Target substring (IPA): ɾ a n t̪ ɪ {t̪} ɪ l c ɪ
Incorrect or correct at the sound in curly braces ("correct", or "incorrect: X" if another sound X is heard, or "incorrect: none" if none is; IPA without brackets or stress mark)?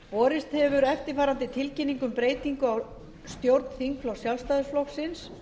incorrect: t̪ʰ